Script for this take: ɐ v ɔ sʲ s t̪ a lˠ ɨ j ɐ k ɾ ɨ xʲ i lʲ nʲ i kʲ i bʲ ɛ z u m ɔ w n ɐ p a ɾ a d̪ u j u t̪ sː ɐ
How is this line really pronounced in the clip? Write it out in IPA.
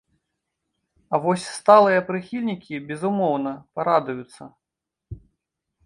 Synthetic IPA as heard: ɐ v ɔ sʲ s t̪ a lˠ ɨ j ɐ p ɾ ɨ xʲ i lʲ nʲ i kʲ i bʲ ɛ z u m ɔ w n ɐ p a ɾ a d̪ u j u t̪ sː ɐ